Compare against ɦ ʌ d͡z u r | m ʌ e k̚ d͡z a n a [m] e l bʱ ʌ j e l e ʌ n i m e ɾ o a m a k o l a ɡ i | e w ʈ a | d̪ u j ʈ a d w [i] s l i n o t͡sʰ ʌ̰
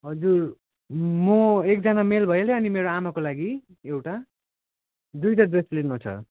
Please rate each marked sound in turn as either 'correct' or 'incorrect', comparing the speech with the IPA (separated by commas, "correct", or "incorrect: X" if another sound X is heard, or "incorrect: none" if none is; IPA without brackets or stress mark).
correct, incorrect: e